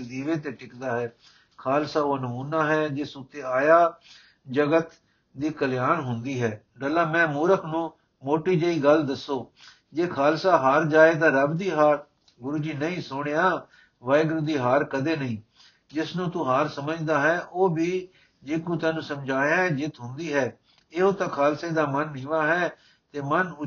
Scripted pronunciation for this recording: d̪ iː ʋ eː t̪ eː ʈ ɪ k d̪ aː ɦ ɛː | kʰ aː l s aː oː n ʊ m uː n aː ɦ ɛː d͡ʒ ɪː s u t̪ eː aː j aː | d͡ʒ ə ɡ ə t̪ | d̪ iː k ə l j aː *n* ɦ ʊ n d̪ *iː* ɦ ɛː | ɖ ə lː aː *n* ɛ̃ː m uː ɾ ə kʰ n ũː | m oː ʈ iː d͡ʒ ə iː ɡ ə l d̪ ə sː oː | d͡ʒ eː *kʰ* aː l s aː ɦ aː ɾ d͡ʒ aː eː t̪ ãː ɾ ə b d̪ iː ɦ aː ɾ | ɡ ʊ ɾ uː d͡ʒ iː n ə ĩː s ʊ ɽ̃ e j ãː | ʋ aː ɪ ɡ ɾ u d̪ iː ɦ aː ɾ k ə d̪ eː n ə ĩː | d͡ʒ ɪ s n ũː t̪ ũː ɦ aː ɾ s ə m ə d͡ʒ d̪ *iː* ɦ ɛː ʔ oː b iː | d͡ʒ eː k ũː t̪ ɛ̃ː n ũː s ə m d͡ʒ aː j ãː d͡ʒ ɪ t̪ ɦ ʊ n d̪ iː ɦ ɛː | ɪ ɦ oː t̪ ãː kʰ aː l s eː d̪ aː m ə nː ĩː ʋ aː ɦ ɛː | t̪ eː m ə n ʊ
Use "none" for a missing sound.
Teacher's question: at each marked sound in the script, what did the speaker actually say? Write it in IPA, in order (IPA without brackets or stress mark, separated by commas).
n, iː, m, kʰ, aː